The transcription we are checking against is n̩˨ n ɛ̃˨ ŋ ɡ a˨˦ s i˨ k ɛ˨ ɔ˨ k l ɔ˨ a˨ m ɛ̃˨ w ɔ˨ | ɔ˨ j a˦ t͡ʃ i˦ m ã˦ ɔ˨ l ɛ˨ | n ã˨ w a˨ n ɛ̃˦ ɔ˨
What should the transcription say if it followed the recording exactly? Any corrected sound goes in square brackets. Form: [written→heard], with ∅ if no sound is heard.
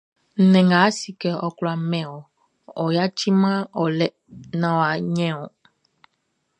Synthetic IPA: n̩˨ n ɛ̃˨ ŋ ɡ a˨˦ s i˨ k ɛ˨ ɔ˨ k l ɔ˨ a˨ m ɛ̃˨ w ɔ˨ | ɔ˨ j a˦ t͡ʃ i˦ m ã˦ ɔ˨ l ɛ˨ | n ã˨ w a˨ [n→ɲ] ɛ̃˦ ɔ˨